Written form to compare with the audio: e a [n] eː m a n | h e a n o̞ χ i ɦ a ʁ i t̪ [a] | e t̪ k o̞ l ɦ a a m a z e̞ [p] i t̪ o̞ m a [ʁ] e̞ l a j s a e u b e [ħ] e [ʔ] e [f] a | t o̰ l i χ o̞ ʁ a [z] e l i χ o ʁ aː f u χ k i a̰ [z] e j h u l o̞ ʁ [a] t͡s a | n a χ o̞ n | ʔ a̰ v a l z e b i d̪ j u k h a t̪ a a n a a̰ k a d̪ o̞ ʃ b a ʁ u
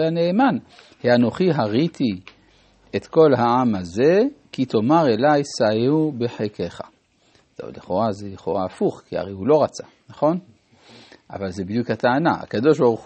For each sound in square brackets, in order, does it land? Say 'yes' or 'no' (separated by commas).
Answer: yes, no, no, yes, yes, no, no, yes, no, yes